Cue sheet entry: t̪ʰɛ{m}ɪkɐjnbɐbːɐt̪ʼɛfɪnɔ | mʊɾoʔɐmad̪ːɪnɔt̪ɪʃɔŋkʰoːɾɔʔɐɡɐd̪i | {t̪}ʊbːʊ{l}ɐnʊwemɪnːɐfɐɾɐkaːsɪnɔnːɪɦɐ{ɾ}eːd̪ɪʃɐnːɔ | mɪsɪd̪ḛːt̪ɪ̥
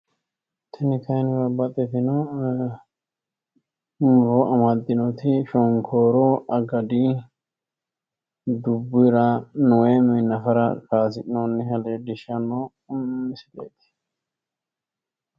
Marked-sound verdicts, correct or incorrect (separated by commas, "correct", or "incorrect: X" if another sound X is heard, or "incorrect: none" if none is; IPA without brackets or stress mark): incorrect: n, incorrect: d̪, incorrect: ɾ, incorrect: l